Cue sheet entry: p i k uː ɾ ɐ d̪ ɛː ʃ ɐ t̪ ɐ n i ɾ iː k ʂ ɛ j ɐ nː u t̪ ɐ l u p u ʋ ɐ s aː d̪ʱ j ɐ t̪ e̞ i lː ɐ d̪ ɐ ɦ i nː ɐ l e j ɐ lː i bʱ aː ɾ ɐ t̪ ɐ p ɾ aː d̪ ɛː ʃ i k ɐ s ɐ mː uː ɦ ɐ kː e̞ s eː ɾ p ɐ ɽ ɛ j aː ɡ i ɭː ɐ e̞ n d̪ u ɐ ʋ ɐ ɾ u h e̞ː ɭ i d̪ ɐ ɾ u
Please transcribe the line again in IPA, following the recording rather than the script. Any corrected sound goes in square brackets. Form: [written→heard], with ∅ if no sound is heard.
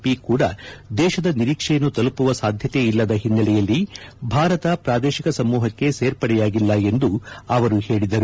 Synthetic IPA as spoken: p i k uː [ɾ→ɽ] ɐ d̪ ɛː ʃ ɐ [t̪→d̪] ɐ n i ɾ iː k ʂ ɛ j ɐ nː u t̪ ɐ l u p u ʋ ɐ s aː d̪ʱ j ɐ t̪ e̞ i lː ɐ d̪ ɐ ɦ i nː ɐ l [e→ɛ] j ɐ lː i bʱ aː ɾ ɐ t̪ ɐ p ɾ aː d̪ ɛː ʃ i k ɐ s ɐ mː uː ɦ ɐ kː e̞ s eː ɾ p ɐ ɽ ɛ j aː ɡ i [ɭː→lː] ɐ e̞ n d̪ u ɐ ʋ ɐ ɾ u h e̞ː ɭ i d̪ ɐ ɾ u